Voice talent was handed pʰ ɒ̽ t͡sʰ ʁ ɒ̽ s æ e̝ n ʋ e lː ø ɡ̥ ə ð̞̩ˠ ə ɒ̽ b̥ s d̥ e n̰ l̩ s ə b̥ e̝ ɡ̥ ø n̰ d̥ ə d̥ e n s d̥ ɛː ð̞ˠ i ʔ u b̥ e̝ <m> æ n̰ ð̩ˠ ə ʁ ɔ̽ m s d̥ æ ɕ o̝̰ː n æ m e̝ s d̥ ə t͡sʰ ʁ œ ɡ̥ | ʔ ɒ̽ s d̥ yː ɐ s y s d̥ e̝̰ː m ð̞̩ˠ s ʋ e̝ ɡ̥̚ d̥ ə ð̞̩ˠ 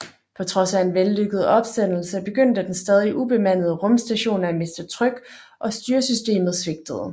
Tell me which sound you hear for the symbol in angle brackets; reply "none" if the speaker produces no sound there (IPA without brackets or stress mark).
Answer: m